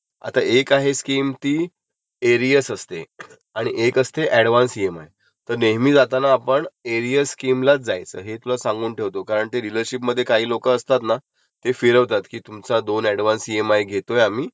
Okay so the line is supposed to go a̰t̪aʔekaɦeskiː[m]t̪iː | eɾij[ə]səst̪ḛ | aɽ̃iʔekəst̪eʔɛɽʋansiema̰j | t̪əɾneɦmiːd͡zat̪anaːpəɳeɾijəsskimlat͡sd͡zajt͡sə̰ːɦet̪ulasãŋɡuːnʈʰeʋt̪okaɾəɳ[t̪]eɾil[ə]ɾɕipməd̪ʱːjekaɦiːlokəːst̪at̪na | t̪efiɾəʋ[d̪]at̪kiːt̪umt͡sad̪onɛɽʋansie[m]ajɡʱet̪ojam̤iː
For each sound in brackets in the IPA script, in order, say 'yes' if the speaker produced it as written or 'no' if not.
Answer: yes, yes, yes, yes, no, yes

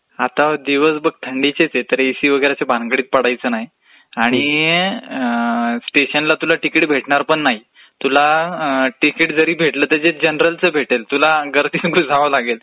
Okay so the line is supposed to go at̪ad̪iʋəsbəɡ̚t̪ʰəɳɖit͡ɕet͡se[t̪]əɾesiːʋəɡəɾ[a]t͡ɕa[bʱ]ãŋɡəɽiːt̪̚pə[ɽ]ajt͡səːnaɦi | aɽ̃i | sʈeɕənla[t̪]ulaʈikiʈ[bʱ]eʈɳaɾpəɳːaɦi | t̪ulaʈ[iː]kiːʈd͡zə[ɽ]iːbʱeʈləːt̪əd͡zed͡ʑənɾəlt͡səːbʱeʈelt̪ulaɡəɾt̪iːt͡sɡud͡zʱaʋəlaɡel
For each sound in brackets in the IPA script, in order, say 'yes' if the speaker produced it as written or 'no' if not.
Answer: yes, yes, yes, yes, yes, yes, no, no

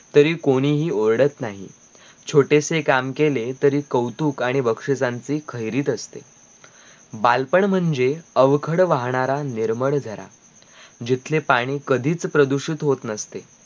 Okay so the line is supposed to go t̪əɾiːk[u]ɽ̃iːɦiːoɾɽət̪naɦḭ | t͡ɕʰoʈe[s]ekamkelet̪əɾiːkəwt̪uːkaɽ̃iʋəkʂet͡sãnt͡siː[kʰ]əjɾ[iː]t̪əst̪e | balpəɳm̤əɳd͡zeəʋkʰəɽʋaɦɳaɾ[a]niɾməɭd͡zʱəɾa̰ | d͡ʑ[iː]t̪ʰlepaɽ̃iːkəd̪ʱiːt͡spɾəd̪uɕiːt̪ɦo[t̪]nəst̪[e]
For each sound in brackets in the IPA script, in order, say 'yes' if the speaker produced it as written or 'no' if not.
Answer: no, yes, yes, yes, yes, no, yes, yes

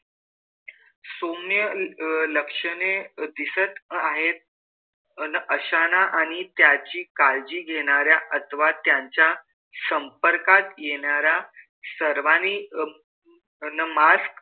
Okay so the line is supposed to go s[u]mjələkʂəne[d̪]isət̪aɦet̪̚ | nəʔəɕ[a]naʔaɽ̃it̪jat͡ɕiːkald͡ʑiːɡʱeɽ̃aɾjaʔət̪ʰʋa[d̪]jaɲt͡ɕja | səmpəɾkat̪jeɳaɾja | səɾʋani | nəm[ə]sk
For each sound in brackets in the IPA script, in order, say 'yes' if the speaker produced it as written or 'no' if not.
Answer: no, yes, yes, no, no

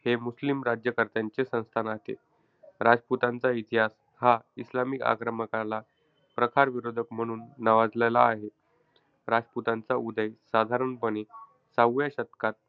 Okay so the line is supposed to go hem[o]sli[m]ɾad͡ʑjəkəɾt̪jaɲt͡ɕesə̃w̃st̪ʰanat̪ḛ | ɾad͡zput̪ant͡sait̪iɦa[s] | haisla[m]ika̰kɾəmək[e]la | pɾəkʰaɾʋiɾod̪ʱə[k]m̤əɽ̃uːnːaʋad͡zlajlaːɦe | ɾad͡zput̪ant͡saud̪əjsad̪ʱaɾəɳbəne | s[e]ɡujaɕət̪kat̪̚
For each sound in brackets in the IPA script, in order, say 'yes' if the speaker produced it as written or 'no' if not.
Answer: no, yes, yes, yes, no, yes, no

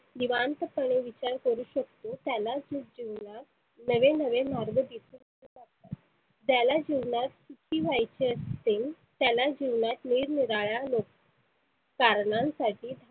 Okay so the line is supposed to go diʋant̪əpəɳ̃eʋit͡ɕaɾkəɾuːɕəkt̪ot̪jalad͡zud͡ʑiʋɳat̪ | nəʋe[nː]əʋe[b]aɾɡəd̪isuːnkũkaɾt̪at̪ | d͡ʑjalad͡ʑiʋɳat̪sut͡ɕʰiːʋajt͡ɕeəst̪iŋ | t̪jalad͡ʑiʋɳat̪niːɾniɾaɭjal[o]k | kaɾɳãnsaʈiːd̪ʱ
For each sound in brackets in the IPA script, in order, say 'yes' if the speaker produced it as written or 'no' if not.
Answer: no, no, yes

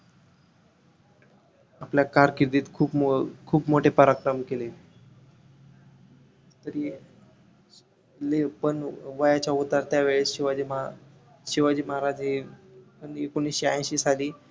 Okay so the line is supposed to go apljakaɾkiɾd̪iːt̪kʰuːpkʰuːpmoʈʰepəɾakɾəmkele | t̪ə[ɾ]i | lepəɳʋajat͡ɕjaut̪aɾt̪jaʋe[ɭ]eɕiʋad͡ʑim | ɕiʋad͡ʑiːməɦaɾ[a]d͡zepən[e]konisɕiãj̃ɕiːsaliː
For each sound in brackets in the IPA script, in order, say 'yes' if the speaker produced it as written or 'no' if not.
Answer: yes, yes, yes, yes

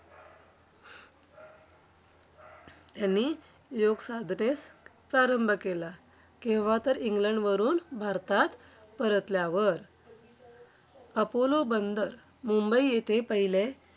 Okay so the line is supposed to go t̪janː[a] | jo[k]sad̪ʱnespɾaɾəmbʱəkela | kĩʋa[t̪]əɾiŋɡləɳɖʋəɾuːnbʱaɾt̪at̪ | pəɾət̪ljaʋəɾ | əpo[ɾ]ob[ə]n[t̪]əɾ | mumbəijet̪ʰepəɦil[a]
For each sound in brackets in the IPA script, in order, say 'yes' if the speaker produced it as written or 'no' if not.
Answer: no, no, yes, no, yes, no, no

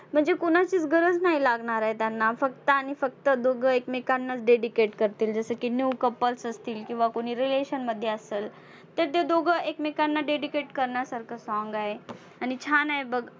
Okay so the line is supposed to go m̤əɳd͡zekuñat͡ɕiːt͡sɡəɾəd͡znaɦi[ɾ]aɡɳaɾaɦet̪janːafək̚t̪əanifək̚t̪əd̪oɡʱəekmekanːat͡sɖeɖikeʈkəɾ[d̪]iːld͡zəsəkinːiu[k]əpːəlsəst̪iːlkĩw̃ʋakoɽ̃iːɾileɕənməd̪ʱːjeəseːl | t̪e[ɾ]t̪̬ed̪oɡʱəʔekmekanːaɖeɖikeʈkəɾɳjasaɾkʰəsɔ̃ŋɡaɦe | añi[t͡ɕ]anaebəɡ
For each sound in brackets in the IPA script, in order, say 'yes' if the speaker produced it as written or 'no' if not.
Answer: no, no, yes, yes, no

